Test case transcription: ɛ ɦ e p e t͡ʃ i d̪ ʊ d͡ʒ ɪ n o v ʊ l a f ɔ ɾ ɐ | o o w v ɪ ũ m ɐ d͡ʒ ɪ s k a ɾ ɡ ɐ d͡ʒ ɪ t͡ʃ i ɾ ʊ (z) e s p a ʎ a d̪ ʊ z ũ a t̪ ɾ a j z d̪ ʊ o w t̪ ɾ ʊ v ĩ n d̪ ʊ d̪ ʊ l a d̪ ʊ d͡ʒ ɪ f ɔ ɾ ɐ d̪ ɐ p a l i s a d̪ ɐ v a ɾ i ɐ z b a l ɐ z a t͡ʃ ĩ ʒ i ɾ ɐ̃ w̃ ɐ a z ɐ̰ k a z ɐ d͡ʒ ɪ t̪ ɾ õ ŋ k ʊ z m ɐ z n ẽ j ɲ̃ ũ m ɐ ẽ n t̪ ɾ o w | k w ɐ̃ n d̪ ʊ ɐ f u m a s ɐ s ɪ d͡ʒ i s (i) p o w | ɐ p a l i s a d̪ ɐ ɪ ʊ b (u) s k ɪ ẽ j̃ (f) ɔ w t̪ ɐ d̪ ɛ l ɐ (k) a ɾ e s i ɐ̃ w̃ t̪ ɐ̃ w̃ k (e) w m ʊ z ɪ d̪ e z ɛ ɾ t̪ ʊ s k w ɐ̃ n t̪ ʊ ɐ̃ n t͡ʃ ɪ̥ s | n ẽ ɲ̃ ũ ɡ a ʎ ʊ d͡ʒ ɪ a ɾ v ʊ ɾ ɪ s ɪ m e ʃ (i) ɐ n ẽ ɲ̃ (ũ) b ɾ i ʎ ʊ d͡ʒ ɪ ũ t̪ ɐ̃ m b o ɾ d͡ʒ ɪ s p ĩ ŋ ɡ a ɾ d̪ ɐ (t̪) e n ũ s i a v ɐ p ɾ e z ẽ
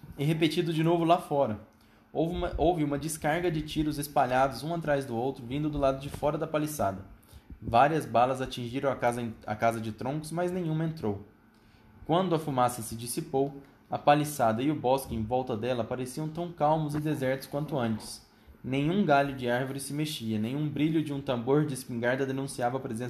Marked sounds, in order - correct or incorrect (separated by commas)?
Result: correct, correct, incorrect, incorrect, incorrect, incorrect, correct, correct, incorrect